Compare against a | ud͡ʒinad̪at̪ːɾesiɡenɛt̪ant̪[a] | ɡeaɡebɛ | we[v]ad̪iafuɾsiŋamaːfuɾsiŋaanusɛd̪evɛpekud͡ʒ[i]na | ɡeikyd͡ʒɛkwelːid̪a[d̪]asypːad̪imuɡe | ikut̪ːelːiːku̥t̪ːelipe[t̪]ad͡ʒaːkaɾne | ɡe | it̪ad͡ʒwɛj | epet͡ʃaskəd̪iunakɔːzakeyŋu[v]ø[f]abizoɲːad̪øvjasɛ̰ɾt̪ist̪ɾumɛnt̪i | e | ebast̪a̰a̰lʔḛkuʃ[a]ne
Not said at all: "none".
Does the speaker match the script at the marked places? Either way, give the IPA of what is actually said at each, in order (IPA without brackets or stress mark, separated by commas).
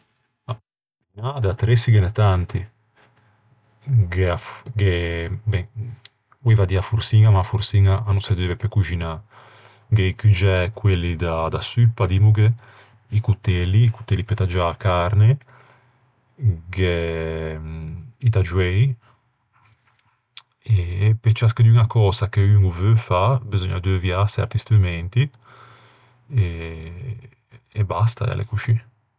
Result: i, v, i, d̪, t̪, v, f, i